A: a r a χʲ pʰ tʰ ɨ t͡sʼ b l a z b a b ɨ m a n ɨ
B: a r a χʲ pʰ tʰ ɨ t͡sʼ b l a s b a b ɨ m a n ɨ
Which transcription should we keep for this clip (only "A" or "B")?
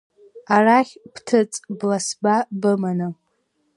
B